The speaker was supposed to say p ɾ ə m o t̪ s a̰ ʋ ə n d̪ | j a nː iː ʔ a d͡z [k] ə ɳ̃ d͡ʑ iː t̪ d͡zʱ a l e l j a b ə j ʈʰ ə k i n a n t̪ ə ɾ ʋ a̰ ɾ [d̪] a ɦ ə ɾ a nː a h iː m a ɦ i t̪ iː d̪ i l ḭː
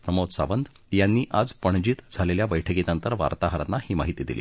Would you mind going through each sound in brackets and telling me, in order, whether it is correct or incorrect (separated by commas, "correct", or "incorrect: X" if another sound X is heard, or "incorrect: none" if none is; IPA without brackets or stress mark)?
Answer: incorrect: p, incorrect: t̪